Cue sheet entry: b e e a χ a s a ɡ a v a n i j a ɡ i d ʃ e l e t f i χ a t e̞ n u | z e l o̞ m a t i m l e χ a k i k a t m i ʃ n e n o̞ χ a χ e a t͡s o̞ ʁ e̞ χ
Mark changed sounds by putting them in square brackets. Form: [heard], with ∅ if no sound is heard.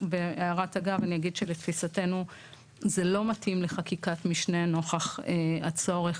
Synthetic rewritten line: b e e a [ʁ] a [t] a ɡ a v a n i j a ɡ i d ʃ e l e t f i [s] a t e̞ n u | z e l o̞ m a t i m l e χ a k i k a t m i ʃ n e n o̞ χ a χ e a t͡s o̞ ʁ e̞ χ